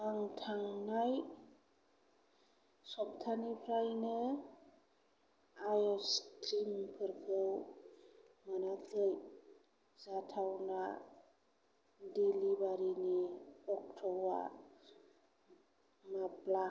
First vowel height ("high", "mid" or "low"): low